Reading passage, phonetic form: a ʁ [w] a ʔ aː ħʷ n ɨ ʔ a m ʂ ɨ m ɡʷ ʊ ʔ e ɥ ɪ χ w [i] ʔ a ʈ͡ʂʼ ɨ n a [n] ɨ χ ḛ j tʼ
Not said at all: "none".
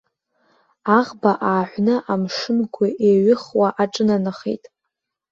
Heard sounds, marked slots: b, a, n

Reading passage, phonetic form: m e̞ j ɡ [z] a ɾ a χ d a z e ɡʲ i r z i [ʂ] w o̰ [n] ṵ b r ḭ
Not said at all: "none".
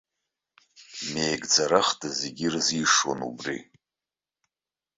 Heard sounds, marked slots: d͡z, ʂ, n

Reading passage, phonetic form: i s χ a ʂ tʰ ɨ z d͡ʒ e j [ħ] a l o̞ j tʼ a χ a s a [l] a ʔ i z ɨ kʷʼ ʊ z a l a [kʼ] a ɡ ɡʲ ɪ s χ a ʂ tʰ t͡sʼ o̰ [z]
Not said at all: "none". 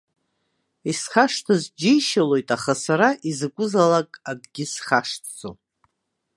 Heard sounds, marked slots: ʃ, ɾ, kʼ, none

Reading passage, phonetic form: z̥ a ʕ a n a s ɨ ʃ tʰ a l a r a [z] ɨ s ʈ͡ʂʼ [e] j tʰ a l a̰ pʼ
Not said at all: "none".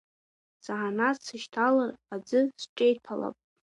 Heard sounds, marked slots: d͡z, e

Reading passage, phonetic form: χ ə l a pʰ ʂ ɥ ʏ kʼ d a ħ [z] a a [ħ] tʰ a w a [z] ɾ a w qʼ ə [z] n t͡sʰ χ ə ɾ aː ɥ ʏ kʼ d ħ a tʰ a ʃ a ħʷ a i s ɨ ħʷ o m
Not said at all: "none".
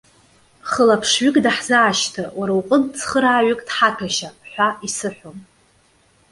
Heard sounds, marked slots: z, ʃ, none, none

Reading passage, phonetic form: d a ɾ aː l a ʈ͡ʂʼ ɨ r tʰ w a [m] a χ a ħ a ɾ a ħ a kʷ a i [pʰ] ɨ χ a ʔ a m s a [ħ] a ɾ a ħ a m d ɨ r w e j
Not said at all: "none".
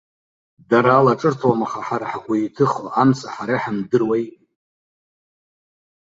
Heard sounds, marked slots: m, tʰ, ħ

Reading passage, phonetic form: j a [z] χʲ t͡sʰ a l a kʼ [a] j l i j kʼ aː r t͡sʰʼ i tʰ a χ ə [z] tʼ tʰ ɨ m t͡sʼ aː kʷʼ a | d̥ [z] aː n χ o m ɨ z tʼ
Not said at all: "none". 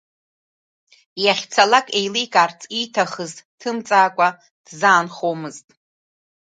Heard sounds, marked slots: none, e, z, z

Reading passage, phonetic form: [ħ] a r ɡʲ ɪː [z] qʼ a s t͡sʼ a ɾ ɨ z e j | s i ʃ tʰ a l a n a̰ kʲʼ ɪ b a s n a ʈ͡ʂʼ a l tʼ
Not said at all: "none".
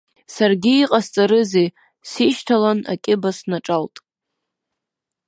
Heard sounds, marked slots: s, none

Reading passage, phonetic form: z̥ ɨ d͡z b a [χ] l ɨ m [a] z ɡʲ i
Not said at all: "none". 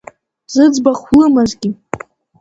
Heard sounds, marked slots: χ, a

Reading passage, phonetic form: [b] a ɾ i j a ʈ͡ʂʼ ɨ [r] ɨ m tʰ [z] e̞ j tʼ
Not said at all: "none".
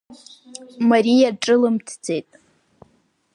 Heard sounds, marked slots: m, l, d͡z

